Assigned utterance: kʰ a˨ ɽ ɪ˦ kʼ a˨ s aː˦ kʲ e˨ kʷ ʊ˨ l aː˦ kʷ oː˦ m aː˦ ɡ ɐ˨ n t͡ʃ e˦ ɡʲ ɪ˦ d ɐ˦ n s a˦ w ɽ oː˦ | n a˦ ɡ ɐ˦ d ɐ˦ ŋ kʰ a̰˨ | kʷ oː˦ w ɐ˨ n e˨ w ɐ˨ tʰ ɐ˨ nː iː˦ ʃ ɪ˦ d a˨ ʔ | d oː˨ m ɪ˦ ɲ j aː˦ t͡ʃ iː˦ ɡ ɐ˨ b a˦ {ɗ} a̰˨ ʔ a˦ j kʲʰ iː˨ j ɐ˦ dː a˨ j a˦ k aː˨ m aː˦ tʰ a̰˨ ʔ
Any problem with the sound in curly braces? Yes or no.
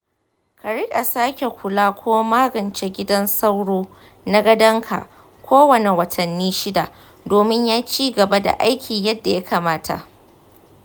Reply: yes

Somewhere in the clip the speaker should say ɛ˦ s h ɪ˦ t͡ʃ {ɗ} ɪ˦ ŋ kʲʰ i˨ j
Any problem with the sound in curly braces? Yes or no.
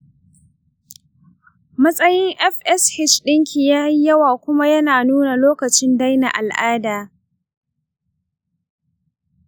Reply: no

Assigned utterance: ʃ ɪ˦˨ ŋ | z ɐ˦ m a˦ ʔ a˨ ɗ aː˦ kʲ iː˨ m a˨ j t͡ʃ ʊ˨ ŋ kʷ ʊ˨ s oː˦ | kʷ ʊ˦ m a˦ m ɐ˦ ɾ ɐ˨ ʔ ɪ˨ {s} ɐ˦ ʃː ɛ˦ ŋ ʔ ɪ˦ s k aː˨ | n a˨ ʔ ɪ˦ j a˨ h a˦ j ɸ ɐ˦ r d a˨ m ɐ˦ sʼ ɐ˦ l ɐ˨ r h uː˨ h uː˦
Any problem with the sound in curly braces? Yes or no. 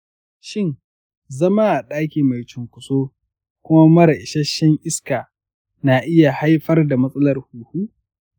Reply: yes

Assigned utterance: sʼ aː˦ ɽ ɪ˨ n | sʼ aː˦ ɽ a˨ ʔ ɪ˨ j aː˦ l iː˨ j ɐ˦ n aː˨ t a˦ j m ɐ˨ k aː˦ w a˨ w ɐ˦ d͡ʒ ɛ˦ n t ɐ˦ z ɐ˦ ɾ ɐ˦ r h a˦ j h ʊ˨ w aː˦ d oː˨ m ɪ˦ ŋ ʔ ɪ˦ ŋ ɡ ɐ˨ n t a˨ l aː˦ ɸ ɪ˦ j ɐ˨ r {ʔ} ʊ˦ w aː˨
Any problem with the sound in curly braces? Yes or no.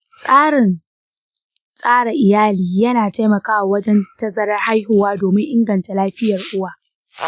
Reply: no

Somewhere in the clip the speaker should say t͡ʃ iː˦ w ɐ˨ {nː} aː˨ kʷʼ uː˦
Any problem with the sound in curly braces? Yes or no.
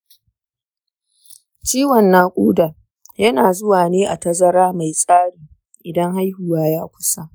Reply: no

